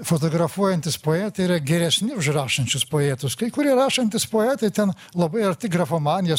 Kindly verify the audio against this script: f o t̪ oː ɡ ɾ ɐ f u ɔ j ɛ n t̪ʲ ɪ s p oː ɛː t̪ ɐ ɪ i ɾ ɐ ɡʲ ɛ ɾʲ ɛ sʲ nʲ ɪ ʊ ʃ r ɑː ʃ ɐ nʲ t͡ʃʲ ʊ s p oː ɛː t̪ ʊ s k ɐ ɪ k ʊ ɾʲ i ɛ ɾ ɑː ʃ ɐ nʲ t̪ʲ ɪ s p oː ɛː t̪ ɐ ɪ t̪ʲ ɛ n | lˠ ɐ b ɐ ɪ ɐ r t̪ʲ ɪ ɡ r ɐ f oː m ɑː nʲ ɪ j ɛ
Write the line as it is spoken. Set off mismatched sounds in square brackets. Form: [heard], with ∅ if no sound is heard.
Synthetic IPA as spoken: f o t̪ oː ɡ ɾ ɐ f u ɔ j ɛ n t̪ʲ ɪ s p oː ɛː t̪ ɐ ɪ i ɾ ɐ ɡʲ ɛ ɾʲ ɛ sʲ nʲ ɪ ʊ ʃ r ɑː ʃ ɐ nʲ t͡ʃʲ ʊ s p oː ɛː t̪ ʊ s k ɐ ɪ k ʊ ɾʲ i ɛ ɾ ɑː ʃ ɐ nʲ t̪ʲ ɪ s p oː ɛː t̪ ɐ ɪ t̪ʲ ɛ n | lˠ ɐ b ɐ ɪ ɐ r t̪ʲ ɪ ɡ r ɐ f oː m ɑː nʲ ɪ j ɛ